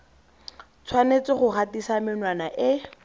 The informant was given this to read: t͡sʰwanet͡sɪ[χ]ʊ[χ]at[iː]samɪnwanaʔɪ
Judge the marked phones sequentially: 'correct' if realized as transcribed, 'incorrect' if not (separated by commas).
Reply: correct, correct, incorrect